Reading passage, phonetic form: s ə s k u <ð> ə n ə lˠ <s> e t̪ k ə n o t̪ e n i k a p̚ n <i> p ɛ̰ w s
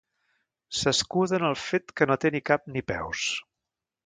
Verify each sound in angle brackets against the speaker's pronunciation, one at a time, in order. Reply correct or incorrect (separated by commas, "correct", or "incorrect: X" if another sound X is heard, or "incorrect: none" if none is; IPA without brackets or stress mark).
correct, incorrect: f, correct